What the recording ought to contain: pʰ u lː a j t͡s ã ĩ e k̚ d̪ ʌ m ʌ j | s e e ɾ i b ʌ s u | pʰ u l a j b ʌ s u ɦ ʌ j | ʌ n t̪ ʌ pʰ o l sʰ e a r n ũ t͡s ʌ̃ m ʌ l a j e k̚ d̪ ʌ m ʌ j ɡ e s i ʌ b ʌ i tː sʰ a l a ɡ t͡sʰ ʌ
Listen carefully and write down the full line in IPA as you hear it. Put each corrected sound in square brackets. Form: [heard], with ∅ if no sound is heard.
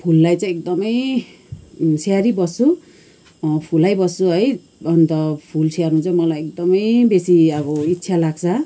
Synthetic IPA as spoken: pʰ u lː a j t͡s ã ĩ e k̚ d̪ ʌ m ʌ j | s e [a] ɾ i b ʌ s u | pʰ u l a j b ʌ s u ɦ ʌ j | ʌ n t̪ ʌ pʰ [u] l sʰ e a r n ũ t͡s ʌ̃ m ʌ l a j e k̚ d̪ ʌ m ʌ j [b] e s i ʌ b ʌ i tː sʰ a l a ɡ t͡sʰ ʌ